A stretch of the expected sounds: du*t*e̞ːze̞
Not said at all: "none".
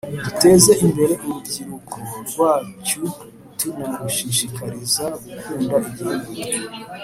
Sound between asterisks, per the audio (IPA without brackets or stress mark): t